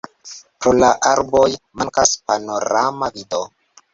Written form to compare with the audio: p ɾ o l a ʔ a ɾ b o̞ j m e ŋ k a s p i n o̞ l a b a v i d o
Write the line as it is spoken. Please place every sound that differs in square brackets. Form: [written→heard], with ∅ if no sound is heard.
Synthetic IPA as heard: p ɾ o l a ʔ a ɾ b o̞ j m [e→a] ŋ k a s p [i→a] n o̞ [l→ɾ] a [b→m] a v i d o